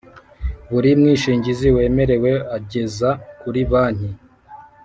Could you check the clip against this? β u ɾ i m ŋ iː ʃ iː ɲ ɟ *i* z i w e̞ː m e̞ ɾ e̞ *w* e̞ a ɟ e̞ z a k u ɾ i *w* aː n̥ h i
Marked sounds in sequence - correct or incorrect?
correct, correct, incorrect

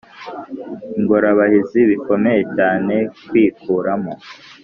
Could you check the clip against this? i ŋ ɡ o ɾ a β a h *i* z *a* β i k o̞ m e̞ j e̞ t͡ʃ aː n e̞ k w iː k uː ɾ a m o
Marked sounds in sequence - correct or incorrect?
correct, incorrect

